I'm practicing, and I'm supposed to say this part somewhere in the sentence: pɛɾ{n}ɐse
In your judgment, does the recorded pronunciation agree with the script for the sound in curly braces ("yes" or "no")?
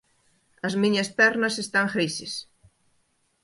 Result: yes